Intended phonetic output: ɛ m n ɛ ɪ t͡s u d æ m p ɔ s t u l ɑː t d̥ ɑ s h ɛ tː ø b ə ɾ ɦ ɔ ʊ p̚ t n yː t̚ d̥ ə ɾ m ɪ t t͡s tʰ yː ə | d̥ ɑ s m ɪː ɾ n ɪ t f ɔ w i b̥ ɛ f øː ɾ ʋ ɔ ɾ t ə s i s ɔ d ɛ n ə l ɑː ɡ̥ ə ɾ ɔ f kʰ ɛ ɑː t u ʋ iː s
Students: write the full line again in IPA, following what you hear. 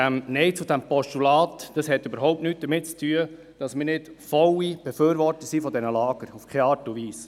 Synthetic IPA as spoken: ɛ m n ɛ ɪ t͡s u d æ m p ɔ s t u l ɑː t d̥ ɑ s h ɛ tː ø b ə ɾ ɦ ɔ ʊ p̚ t n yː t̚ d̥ ə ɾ m ɪ t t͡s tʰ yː ə | d̥ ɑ s m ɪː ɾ n ɪ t f ɔ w i b̥ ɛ f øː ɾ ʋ ɔ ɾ t ə s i f ɔ d ɛ n ə l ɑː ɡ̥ ə ɾ u f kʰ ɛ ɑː t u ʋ iː s